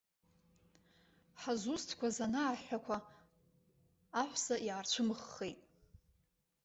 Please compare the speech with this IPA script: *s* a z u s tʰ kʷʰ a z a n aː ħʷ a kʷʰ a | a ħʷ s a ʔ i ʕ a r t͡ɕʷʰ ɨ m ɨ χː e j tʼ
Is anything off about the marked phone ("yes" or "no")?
yes